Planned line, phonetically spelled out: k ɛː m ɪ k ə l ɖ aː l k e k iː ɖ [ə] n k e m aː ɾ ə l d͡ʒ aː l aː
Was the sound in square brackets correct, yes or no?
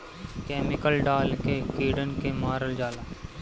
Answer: yes